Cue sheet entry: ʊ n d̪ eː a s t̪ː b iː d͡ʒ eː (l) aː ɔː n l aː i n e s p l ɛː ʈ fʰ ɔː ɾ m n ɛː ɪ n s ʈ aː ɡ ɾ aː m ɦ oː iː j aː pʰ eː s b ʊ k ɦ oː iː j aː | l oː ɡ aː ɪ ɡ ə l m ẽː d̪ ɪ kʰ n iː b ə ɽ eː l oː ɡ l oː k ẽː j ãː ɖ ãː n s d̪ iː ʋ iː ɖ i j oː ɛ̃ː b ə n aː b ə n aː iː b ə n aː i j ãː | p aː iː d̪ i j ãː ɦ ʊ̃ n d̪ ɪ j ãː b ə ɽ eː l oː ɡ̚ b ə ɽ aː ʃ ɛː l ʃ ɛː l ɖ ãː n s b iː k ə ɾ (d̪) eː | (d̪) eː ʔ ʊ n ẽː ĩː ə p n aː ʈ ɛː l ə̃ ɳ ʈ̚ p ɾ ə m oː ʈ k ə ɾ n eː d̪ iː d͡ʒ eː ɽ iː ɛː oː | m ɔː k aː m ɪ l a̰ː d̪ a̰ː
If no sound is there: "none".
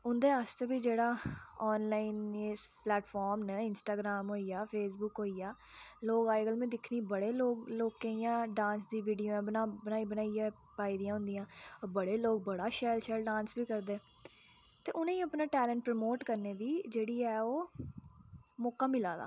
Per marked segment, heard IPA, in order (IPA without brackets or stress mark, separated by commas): ɽ, d̪, t̪